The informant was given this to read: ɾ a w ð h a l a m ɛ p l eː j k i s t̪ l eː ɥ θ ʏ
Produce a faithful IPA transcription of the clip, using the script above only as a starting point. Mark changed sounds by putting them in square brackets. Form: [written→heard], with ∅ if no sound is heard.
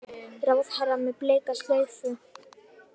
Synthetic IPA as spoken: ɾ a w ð h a [l→ɾ] a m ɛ p l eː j k [i→a] s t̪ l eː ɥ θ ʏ